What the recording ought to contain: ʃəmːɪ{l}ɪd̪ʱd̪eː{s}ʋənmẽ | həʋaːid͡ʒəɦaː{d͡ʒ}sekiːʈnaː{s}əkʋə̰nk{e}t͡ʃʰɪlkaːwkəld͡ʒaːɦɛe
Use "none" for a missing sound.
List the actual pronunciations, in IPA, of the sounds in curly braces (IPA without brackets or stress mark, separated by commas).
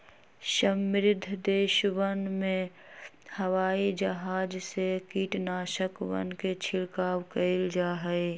ɾ, ʃ, d͡ʒ, ʃ, e